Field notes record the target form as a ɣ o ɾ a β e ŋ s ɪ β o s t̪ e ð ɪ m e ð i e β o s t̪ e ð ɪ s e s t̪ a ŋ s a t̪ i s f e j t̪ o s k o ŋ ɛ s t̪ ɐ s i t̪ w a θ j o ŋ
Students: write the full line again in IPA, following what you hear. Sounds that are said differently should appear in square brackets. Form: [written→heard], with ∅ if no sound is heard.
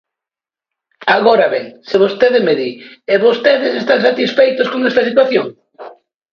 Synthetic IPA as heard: a ɣ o ɾ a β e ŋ s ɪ β o s t̪ e ð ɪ m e ð i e β o s t̪ e ð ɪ s e s t̪ a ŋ s a t̪ i s f e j t̪ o s k o ŋ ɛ s t̪ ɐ s i t̪ w a θ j o ŋ